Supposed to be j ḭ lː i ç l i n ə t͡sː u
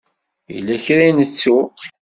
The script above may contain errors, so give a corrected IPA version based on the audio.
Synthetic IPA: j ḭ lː æ ç ɾ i n ə t͡sː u